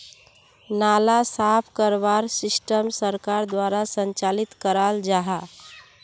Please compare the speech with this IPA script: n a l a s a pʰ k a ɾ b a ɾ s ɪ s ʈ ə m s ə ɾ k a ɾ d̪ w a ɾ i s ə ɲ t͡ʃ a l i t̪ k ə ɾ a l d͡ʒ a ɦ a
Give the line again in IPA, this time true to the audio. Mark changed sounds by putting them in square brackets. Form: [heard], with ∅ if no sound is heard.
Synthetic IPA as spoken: n a l a s a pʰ k [ə] ɾ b a ɾ s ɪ s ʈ ə m s ə ɾ k a ɾ d̪ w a ɾ [a] s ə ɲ t͡ʃ a l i t̪ k ə ɾ a l d͡ʒ a ɦ a